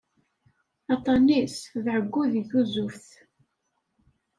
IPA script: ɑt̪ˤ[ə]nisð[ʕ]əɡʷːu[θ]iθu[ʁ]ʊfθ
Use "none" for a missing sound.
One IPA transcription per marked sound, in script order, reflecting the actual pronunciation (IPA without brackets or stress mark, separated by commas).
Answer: ɑ, ʕ, ð, z